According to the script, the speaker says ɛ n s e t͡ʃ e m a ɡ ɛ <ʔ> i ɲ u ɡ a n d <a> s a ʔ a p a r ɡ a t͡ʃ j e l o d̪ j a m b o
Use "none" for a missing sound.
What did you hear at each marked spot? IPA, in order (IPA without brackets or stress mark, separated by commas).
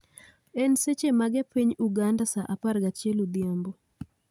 p, a